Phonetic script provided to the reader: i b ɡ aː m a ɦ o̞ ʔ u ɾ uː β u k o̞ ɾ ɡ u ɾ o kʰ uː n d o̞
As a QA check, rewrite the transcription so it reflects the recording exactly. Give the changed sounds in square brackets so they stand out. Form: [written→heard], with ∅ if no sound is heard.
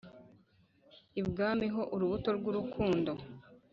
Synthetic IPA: i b ɡ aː m [a→i] ɦ o̞ ʔ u ɾ [uː→u] β u [k→t] o̞ ɾ ɡ u ɾ [o→u] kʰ uː n d o̞